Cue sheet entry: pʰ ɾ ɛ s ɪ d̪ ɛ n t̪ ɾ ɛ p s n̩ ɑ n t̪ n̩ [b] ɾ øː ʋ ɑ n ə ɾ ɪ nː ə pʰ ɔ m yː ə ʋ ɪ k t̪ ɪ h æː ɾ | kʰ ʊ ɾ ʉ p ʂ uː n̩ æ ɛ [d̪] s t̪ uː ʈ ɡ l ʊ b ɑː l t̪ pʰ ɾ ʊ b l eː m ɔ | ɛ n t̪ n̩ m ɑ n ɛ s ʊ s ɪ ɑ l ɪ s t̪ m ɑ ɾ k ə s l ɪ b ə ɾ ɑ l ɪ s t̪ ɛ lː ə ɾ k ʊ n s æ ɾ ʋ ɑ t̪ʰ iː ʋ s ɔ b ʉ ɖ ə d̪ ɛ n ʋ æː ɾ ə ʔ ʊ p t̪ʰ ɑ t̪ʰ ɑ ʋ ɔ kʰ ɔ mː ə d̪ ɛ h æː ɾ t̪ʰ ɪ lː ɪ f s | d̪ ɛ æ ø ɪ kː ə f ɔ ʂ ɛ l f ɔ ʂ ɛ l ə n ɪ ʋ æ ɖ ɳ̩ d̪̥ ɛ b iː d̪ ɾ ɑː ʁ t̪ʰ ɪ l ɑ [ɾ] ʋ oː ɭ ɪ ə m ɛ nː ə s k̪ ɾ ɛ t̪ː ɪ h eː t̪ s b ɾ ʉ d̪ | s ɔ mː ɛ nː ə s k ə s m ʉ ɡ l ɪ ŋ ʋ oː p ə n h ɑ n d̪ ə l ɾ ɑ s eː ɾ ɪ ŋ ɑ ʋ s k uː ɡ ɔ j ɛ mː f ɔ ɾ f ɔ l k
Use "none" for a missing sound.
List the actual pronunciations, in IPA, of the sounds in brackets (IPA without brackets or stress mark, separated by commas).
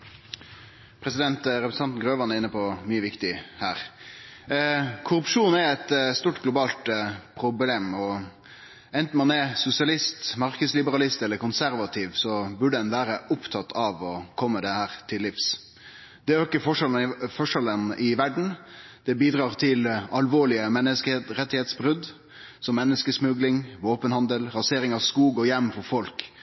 ɡ, t̪, l